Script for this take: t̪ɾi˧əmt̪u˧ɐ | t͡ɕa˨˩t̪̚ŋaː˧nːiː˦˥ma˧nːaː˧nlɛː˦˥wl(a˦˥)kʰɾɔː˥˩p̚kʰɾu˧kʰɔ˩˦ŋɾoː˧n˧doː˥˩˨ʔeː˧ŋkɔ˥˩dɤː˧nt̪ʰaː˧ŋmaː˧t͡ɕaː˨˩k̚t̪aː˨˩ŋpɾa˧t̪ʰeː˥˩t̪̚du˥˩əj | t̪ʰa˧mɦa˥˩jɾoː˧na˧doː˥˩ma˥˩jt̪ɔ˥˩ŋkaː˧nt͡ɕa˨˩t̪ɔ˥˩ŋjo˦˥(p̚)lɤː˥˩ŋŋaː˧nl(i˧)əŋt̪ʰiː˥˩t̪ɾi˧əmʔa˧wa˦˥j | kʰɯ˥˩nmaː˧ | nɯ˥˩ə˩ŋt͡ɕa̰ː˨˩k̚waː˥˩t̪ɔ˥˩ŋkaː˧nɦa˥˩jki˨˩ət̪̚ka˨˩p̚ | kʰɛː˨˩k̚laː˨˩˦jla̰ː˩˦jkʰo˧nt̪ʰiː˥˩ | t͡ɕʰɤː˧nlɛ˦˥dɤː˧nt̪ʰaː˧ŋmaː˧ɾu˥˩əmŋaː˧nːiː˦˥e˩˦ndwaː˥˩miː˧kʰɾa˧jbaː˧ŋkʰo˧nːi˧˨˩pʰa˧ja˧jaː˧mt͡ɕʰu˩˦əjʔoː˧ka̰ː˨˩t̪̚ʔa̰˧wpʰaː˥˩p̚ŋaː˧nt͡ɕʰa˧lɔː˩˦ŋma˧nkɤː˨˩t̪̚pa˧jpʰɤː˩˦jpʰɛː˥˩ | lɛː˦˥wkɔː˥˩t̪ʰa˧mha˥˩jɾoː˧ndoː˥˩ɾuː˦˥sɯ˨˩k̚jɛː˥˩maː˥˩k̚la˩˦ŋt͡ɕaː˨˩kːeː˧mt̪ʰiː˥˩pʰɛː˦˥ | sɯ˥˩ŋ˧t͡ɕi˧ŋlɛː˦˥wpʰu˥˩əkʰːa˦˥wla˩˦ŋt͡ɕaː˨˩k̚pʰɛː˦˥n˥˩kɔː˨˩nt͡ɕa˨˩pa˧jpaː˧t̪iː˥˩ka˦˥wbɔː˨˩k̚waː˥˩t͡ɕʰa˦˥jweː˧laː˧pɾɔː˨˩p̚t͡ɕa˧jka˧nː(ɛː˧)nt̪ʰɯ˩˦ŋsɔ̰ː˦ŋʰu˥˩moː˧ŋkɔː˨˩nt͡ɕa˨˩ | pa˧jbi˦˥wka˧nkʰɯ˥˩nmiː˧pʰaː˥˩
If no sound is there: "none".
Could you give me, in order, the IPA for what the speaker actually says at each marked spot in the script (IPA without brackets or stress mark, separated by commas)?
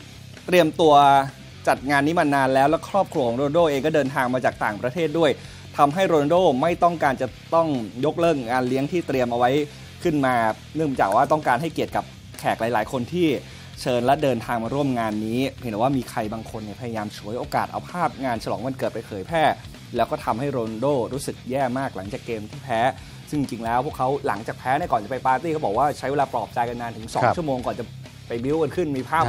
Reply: ɛ˦˥, k̚, i˦˥, aː˧